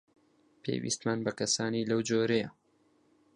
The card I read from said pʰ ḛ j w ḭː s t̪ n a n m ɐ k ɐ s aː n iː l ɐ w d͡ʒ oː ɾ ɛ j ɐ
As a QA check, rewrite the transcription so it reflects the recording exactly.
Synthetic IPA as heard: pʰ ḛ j w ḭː s t̪ m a n b ɐ k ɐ s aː n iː l ɐ w d͡ʒ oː ɾ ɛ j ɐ

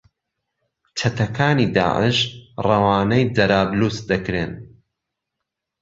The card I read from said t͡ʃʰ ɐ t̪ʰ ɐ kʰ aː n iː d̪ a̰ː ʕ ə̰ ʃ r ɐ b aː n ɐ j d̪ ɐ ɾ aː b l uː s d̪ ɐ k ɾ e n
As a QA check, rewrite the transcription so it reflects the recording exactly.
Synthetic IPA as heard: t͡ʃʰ ɐ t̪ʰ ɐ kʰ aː n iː d̪ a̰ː ʕ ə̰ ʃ r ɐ w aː n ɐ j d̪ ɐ ɾ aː b l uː s d̪ ɐ k ɾ e n

